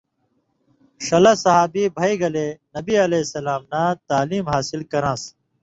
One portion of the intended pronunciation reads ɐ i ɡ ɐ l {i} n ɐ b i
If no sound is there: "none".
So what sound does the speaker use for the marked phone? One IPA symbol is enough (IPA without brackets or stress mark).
e